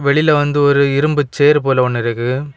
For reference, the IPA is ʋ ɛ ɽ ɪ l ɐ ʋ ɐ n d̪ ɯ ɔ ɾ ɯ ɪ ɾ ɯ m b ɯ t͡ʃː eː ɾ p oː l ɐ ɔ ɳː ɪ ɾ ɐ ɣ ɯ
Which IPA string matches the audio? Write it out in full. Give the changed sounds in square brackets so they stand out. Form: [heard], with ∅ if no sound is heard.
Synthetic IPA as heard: ʋ ɛ [ɭ] ɪ l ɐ ʋ ɐ n d̪ ɯ ɔ ɾ ɯ ɪ ɾ ɯ m b ɯ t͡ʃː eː ɾ p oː l ɐ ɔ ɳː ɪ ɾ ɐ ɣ ɯ